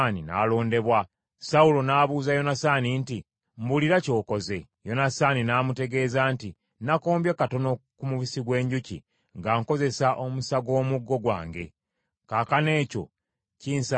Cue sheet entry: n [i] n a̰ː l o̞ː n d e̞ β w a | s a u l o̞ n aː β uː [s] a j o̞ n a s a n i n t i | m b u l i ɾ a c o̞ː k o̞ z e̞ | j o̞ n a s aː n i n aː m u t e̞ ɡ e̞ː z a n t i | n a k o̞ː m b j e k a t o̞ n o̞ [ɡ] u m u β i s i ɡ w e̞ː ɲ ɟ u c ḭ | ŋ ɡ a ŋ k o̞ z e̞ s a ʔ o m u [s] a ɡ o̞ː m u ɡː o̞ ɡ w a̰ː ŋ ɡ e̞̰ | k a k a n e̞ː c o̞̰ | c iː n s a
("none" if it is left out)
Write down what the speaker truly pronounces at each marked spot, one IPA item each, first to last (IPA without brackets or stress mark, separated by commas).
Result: i, z, k, s